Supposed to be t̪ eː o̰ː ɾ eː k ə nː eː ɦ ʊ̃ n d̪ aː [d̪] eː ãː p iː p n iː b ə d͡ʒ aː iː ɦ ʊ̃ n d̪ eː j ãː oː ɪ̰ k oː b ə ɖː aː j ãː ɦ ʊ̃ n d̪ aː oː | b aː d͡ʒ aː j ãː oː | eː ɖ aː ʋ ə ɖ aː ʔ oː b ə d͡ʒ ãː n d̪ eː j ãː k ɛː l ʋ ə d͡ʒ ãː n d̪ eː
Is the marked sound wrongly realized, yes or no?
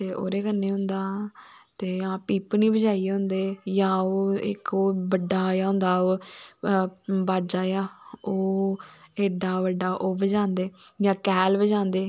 yes